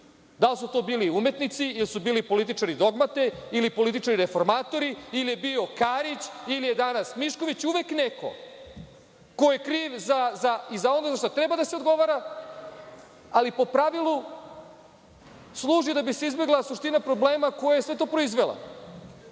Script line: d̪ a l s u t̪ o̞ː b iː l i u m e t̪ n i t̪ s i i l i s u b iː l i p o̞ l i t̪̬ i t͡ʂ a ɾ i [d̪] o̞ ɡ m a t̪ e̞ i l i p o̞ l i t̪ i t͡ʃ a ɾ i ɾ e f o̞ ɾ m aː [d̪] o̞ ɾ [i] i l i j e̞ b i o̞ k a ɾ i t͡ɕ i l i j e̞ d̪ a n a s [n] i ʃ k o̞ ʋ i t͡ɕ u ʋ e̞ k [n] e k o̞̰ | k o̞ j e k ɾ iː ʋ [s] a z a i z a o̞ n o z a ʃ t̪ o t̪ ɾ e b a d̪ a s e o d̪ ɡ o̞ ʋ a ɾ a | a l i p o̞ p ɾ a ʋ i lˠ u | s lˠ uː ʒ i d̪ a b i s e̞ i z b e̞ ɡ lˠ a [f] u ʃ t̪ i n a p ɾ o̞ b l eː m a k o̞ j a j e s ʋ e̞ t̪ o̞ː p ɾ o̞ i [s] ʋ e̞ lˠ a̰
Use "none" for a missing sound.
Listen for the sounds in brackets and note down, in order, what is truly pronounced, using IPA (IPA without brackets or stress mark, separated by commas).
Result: d̪, t̪, i, m, n, z, s, z